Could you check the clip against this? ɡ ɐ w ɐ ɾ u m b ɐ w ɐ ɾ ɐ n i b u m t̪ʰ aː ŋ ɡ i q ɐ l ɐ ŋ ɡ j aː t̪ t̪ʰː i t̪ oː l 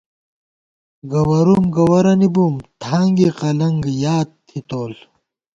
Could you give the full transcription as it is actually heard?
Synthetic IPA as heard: ɡ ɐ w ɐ ɾ u m ɡ ɐ w ɐ ɾ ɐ n i b u m t̪ʰ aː ŋ ɡ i q ɐ l ɐ ŋ ɡ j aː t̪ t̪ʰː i t̪ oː l